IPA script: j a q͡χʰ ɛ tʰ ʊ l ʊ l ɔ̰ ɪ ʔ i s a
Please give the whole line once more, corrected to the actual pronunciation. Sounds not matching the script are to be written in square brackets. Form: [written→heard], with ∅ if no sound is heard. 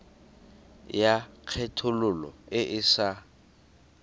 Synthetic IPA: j a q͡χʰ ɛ tʰ ʊ l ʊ l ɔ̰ ɪ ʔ [i→ɪ] s a